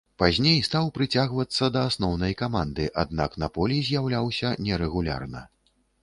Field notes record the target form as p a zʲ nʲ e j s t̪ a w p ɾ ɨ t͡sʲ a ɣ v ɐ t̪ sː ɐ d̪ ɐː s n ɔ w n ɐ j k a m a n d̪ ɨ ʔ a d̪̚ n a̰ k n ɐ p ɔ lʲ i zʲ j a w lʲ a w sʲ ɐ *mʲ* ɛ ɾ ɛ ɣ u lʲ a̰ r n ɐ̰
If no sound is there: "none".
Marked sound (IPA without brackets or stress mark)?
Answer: nʲ